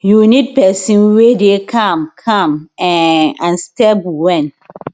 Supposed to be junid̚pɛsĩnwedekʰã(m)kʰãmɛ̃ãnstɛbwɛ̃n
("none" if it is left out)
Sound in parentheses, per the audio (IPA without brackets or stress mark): m